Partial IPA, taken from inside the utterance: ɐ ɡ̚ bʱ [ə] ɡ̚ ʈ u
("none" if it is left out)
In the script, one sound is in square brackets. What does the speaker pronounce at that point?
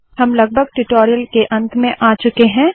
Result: ə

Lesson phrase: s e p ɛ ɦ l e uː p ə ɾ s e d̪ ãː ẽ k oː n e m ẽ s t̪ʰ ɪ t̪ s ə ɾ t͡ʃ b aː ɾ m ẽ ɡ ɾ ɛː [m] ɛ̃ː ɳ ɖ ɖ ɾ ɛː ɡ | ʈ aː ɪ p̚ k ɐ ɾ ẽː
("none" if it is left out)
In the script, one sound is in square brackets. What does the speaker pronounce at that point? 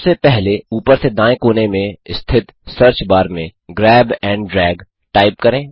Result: b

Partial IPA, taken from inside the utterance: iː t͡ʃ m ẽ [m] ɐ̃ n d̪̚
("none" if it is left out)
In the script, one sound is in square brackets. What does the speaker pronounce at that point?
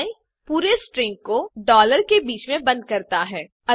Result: b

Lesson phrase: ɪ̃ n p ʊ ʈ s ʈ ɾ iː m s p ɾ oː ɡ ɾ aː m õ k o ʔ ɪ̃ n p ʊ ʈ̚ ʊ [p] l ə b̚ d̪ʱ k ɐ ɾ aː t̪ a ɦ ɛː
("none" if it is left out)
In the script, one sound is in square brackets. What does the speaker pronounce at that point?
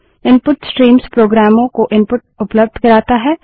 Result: p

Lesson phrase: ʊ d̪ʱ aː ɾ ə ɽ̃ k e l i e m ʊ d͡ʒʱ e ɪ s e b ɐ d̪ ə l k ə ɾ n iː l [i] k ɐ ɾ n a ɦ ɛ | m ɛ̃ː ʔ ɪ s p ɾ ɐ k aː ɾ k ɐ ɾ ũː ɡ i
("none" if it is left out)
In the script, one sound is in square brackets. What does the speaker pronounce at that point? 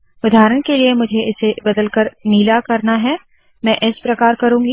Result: a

